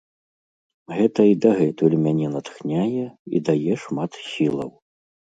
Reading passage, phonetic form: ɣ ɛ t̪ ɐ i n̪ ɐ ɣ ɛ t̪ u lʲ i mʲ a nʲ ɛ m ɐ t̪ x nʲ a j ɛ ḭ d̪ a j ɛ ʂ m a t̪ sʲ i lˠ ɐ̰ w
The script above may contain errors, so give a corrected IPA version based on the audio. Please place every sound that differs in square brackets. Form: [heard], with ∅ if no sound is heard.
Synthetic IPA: ɣ ɛ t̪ ɐ i [d̪] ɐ ɣ ɛ t̪ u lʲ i mʲ a nʲ ɛ [n] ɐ t̪ x nʲ a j ɛ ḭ d̪ a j ɛ ʂ m a t̪ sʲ i lˠ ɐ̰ w